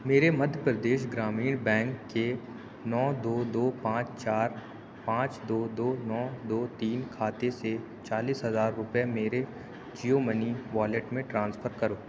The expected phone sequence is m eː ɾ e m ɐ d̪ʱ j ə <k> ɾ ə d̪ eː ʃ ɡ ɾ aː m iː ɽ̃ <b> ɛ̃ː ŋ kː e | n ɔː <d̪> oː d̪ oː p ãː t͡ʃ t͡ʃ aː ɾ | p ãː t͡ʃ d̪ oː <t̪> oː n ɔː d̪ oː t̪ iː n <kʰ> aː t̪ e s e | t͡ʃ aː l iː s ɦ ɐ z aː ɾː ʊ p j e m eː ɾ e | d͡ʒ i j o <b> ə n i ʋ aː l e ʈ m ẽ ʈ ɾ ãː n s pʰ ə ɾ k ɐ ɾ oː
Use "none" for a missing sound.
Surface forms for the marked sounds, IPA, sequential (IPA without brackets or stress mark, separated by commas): p, b, d̪, d̪, kʰ, m